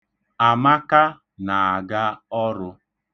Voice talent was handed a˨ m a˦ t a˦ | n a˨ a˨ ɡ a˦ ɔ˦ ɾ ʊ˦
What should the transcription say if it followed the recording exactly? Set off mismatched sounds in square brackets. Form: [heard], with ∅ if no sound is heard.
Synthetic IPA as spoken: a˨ m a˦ [k] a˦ | n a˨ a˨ ɡ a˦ ɔ˦ ɾ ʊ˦